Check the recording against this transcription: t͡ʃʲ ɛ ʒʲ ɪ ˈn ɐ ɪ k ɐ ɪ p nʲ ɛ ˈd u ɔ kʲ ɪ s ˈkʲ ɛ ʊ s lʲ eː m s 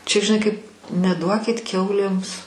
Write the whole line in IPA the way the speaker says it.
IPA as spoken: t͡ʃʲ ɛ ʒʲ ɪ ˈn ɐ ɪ k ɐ ɪ p nʲ ɛ ˈd u ɔ kʲ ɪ t ˈkʲ ɛ ʊ lʲ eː m s